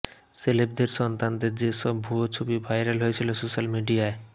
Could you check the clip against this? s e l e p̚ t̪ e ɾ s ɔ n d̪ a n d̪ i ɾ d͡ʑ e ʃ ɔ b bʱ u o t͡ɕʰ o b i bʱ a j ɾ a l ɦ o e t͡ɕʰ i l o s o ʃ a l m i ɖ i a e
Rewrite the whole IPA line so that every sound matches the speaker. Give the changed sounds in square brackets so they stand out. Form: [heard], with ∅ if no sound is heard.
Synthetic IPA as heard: s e l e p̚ [d̪] e ɾ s ɔ n [t̪] a n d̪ [e] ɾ d͡ʑ e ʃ ɔ b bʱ u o t͡ɕʰ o b i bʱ a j ɾ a l ɦ o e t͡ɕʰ i l o s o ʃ a l m i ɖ i a e